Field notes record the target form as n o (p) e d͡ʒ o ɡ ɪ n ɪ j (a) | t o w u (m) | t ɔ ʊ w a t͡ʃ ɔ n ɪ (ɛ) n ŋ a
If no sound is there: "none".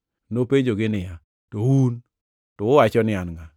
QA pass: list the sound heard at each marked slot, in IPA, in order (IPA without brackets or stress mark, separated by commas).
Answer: p, a, n, a